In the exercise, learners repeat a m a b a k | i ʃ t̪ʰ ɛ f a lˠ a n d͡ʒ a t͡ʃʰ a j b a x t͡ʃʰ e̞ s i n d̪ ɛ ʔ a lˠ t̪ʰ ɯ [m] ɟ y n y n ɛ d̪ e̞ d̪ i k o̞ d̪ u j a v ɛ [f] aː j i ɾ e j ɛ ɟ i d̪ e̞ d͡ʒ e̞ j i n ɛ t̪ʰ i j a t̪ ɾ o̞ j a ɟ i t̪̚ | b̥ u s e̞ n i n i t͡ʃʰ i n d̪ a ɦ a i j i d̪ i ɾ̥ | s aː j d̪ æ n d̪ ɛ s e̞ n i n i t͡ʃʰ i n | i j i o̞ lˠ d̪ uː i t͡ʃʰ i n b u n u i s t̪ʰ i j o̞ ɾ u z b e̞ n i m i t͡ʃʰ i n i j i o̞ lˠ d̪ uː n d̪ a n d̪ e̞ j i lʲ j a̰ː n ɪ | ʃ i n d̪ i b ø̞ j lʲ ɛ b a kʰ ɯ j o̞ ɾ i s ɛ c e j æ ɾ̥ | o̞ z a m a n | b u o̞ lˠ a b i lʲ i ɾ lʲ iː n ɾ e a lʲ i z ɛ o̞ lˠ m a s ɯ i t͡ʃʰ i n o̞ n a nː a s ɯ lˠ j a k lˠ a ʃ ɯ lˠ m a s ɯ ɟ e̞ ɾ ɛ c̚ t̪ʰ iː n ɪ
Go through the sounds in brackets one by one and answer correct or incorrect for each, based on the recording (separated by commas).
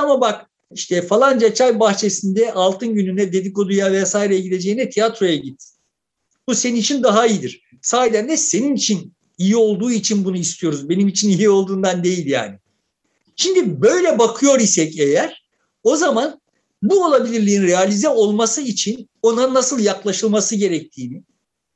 incorrect, incorrect